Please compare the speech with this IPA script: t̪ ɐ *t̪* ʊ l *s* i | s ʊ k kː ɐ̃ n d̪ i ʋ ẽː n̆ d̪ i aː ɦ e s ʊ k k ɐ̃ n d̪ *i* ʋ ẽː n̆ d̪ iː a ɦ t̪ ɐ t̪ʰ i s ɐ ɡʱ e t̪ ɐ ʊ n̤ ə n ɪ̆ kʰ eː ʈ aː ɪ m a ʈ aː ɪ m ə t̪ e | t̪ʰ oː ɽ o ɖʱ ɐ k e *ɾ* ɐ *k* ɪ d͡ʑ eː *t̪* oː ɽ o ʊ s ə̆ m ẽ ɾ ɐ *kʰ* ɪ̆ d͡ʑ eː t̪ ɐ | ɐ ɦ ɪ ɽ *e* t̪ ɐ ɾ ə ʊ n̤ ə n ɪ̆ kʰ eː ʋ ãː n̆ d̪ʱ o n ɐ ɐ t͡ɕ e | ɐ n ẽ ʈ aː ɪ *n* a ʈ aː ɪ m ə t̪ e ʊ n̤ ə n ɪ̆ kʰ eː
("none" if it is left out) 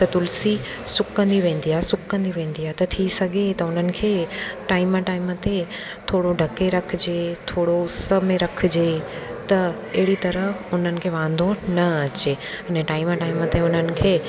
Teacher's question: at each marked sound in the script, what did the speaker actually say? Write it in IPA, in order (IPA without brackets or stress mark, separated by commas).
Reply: t̪, s, i, ɾ, kʰ, t̪ʰ, kʰ, i, m